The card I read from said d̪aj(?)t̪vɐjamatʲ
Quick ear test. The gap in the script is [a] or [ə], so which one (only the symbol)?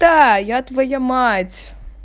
a